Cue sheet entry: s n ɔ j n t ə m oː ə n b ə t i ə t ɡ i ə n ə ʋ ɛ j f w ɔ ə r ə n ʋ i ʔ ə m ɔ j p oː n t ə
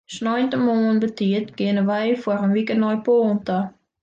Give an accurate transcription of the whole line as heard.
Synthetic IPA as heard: s n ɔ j n t ə m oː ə n b ə t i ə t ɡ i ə n ə ʋ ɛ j f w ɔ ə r ə n ʋ i k ə n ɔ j p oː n t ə